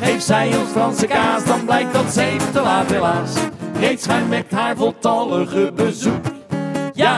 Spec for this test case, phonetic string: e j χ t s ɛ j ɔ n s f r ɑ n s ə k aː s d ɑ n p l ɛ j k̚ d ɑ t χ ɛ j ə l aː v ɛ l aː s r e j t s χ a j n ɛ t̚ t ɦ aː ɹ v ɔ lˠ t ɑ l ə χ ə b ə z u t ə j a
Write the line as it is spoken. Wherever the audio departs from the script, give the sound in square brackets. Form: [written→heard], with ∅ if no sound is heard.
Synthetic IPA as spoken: e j [χ→f] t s ɛ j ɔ n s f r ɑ n s ə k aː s d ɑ n [p→b] l ɛ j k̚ d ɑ t [χ→s] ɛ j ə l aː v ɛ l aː s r e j t s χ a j [n→m] ɛ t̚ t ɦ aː ɹ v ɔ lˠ t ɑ l ə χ ə b ə z u [t→k] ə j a